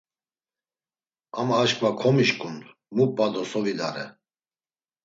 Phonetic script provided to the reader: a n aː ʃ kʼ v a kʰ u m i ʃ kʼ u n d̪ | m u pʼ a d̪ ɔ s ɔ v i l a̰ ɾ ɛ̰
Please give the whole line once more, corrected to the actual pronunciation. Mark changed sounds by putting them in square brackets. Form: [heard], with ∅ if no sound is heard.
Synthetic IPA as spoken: a [m] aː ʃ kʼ v a kʰ [ɔ] m i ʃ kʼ u n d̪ | m u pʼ a d̪ ɔ s ɔ v i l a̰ ɾ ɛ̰